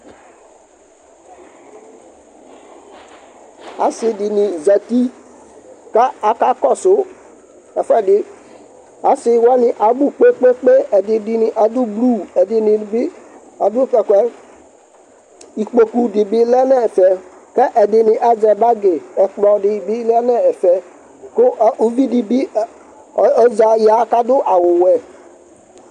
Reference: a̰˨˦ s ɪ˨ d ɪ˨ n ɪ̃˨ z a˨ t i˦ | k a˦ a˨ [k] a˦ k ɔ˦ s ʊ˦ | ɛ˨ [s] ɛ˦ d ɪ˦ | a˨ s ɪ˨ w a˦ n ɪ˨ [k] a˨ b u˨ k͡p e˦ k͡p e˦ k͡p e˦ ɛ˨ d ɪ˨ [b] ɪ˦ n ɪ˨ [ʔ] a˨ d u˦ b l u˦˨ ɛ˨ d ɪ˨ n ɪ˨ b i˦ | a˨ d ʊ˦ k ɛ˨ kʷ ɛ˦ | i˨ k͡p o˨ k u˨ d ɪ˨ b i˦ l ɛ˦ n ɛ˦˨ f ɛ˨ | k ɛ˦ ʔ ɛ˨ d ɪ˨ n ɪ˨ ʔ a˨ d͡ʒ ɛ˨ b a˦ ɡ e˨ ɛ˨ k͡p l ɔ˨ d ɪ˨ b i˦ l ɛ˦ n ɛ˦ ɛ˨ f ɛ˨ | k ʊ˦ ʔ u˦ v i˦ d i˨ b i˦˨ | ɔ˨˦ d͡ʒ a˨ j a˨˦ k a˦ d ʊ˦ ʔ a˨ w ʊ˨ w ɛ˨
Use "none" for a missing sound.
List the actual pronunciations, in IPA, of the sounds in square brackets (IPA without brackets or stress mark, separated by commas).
k, f, ʔ, d, ʔ